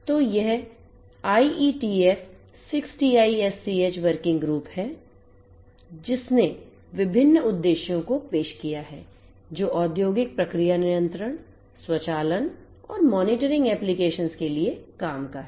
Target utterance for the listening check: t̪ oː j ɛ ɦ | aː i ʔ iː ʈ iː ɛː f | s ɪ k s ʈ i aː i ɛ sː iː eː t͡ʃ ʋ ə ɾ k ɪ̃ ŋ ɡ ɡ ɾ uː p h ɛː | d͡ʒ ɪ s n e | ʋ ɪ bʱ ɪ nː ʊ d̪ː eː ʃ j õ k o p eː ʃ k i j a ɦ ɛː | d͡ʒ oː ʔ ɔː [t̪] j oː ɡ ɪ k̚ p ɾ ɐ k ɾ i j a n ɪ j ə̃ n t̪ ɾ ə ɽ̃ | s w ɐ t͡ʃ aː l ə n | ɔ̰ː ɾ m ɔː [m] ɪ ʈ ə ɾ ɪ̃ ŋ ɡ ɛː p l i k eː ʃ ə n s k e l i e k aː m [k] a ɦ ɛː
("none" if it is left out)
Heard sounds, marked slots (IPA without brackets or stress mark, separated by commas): d̪, n, k